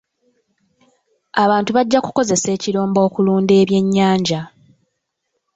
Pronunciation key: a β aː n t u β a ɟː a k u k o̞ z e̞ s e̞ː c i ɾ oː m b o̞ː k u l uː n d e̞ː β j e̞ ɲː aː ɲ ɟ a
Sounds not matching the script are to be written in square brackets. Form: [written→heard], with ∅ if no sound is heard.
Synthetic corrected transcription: a β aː n t u β a ɟː a k u k o̞ z e̞ s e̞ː c i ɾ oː m b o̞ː k u l uː n d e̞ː β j e̞ ɲː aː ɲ ɟ a